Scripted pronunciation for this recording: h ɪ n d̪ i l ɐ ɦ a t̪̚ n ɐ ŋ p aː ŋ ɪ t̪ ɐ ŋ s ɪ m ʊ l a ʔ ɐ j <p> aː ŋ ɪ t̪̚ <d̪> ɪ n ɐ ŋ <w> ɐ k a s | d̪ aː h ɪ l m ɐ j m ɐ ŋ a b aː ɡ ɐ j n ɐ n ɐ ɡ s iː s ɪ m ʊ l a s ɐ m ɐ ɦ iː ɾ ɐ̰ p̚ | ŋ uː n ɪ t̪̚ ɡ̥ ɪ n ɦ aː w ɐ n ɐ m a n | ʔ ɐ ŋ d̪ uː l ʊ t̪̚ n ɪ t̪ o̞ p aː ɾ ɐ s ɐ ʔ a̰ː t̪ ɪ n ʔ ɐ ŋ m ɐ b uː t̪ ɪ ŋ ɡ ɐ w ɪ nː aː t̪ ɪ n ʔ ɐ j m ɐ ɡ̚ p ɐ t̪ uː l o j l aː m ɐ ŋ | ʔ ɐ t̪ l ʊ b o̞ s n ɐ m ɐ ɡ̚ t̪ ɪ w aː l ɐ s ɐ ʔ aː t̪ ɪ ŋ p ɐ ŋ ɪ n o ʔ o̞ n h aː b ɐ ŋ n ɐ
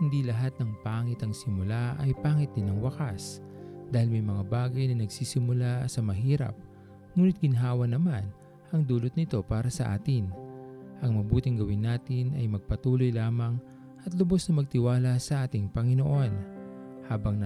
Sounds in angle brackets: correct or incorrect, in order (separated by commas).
correct, correct, correct